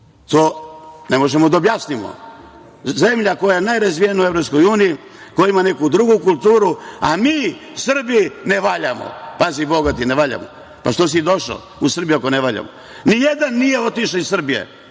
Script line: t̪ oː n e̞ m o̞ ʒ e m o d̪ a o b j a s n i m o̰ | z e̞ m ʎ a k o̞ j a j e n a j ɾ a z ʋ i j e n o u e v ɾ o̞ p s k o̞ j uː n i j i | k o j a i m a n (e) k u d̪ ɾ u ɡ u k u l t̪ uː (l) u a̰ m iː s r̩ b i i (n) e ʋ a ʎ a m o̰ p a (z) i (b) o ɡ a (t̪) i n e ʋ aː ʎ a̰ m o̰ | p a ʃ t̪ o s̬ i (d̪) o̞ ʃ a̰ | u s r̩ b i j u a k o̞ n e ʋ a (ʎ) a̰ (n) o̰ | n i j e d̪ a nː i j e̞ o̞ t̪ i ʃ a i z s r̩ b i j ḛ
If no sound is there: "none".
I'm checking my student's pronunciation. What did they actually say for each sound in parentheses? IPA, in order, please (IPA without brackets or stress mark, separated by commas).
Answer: e, ɾ, n, z, b, t̪, d̪, ʎ, m